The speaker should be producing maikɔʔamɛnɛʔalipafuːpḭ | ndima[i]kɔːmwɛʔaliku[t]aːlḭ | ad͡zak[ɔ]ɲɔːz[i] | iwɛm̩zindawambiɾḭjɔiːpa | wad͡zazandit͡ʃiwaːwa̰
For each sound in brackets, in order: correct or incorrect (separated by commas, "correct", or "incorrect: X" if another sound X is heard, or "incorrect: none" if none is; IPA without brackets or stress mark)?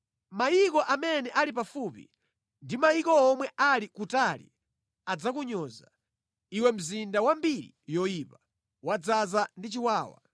correct, correct, incorrect: u, incorrect: a